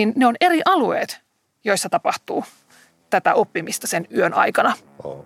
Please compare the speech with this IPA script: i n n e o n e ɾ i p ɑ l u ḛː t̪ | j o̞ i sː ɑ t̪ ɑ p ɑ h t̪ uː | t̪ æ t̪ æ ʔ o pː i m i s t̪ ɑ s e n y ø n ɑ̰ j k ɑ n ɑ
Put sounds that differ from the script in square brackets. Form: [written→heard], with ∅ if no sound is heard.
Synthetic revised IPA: i n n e o n e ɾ i [p→ʔ] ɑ l u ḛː t̪ | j o̞ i sː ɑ t̪ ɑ p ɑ h t̪ uː | t̪ æ t̪ æ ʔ o pː i m i s t̪ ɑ s e n y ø n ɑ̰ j k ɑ n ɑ